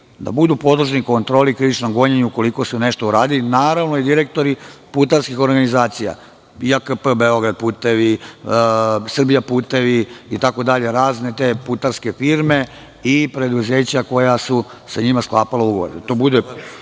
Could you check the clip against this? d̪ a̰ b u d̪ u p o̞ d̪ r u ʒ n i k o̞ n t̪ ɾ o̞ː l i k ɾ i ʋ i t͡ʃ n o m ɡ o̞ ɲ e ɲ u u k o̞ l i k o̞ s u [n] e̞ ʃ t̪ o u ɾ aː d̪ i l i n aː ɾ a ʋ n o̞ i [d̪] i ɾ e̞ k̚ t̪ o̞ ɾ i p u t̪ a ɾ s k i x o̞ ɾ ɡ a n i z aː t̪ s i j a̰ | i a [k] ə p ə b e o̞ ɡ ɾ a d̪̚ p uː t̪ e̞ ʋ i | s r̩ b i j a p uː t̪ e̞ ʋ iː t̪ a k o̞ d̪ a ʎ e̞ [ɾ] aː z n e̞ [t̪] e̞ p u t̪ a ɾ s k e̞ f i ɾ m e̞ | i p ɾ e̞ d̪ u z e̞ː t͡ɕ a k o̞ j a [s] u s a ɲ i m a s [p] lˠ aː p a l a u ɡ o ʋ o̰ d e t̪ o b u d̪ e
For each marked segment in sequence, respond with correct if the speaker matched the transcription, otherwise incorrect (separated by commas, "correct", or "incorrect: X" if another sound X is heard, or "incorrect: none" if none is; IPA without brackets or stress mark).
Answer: correct, correct, correct, correct, correct, correct, incorrect: k